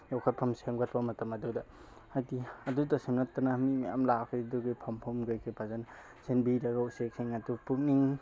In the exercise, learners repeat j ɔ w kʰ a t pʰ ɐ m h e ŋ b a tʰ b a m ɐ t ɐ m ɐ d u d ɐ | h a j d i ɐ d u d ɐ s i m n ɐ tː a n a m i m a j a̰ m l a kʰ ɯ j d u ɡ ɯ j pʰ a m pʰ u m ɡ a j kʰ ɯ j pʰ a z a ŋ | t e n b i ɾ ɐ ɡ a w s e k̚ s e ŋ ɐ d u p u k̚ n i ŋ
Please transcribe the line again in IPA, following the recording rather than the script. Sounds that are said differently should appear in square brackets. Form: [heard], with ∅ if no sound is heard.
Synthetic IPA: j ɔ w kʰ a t pʰ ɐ m [s] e ŋ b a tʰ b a m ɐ t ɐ m ɐ d u d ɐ | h a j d i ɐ d u d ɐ s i m n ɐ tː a n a m i m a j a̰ m l a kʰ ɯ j d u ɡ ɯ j pʰ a m pʰ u m ɡ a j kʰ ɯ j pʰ a z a [n] | [s] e n b i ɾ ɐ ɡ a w s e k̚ s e ŋ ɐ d u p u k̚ n i ŋ